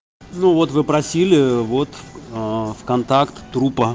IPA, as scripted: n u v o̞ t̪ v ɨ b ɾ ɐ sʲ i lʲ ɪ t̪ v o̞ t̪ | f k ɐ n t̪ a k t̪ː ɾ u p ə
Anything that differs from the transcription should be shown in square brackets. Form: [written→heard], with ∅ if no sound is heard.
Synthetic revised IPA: n u v o̞ t̪ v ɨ [b→p] ɾ ɐ sʲ i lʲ ɪ [t̪→∅] v o̞ t̪ | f k ɐ n t̪ a k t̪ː ɾ u p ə